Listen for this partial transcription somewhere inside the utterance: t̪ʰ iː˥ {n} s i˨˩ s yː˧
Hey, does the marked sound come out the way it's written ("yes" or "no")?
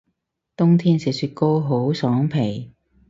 yes